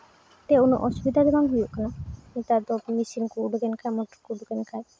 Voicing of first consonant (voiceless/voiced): voiceless